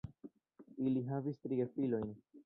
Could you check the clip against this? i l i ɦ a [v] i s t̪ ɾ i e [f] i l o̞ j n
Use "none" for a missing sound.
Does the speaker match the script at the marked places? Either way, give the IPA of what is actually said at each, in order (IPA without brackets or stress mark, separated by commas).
v, f